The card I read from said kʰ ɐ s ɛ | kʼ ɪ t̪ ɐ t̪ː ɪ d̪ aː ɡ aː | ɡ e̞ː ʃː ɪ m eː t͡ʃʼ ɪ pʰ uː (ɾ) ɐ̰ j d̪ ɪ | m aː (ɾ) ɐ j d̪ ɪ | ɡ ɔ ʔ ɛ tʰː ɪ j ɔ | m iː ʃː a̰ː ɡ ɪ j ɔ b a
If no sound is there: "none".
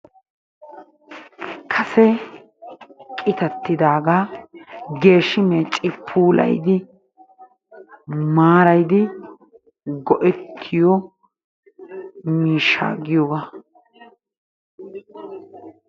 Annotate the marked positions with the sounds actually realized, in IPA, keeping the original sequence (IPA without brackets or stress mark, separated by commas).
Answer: l, ɾ